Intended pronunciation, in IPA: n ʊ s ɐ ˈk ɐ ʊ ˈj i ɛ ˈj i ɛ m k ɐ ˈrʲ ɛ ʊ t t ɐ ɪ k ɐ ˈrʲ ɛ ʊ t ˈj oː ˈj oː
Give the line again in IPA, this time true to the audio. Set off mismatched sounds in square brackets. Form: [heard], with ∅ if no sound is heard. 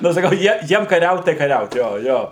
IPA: n ʊ s ɐ ˈk ɐ ʊ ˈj i ɛ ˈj i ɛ m k ɐ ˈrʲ ɛ ʊ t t ɐ ɪ k ɐ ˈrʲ ɛ ʊ t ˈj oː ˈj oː